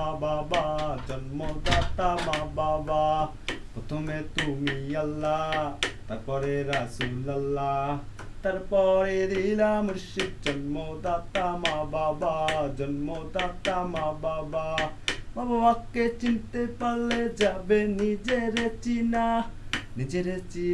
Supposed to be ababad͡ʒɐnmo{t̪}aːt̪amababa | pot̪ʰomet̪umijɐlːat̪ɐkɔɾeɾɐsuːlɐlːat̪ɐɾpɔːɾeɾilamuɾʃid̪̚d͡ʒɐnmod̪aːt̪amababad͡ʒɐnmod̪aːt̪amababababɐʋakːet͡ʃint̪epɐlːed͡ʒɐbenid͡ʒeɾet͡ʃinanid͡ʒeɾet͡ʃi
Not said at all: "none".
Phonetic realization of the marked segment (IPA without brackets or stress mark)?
d̪